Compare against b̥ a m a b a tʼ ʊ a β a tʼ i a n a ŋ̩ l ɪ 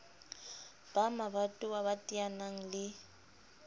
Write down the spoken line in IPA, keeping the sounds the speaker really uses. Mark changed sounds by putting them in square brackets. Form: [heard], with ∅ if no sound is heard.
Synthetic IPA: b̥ a m a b a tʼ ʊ a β a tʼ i a n a ŋ̩ l ɪ